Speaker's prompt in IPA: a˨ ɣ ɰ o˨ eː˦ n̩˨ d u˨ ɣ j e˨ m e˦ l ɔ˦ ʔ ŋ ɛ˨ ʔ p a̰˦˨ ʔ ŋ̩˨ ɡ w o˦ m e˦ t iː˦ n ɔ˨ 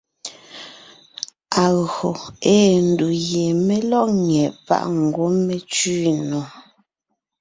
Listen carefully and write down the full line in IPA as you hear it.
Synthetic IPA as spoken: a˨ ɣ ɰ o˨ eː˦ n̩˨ d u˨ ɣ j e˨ m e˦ l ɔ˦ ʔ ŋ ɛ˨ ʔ p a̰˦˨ ʔ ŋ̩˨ ɡ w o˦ m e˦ t͡ʃ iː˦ n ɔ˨